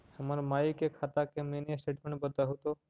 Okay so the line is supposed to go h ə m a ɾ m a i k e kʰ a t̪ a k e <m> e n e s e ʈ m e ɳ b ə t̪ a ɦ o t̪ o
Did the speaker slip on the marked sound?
no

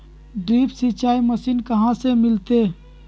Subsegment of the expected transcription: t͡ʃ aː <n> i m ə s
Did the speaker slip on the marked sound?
yes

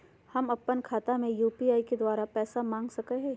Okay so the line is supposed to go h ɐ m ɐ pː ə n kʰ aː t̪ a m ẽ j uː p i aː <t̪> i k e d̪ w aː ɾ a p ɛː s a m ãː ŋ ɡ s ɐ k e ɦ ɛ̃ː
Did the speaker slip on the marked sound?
yes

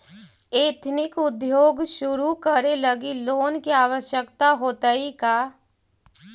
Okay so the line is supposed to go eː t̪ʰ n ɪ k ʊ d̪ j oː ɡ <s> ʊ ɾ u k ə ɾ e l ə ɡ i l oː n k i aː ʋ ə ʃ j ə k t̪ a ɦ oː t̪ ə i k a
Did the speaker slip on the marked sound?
yes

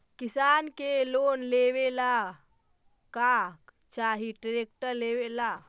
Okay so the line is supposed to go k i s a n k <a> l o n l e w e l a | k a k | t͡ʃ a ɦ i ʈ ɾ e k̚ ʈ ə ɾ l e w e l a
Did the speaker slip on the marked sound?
yes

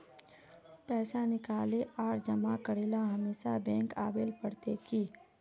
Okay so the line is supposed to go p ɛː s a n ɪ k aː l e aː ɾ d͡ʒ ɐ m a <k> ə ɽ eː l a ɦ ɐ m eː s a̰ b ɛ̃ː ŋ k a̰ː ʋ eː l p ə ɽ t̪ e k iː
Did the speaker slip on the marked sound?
no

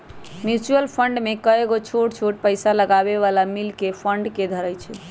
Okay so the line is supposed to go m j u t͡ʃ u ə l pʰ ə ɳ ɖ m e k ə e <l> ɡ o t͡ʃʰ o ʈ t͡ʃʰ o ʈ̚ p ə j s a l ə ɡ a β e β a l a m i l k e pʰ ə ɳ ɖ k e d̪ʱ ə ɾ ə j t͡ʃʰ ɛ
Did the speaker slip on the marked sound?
yes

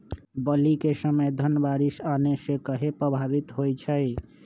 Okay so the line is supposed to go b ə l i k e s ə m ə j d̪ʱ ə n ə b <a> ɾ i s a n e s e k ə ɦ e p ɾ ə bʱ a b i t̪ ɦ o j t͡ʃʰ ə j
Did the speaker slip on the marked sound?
no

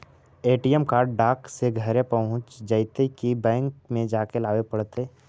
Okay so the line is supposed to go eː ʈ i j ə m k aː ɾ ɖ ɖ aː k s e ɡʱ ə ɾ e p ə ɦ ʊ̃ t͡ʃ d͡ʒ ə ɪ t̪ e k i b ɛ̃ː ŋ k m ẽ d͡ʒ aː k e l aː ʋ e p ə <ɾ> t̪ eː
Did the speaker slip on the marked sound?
yes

